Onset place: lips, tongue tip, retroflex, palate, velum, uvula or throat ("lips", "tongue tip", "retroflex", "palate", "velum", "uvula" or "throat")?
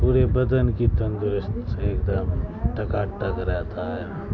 lips